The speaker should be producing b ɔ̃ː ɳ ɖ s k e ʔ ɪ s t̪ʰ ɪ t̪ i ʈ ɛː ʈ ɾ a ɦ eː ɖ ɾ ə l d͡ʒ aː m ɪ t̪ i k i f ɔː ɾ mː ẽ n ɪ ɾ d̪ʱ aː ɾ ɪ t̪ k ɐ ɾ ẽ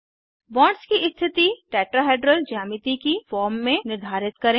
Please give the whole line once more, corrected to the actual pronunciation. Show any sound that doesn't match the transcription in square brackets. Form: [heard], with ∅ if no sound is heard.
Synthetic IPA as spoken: b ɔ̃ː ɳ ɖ s k [i] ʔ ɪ s t̪ʰ ɪ t̪ i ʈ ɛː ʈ ɾ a ɦ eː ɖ ɾ ə l d͡ʒ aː m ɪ t̪ i k i f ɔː ɾ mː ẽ n ɪ ɾ d̪ʱ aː ɾ ɪ t̪ k ɐ ɾ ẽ

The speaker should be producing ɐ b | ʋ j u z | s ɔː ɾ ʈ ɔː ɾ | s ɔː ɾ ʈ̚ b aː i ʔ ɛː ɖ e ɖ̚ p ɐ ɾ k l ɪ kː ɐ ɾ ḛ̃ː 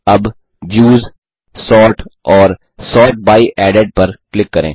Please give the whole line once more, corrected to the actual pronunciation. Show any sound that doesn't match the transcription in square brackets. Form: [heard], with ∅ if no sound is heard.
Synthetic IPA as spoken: ɐ b | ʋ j [uː] z | s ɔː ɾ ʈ ɔː ɾ | s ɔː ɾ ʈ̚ b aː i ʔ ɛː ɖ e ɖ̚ p ɐ ɾ k l ɪ kː ɐ ɾ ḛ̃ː

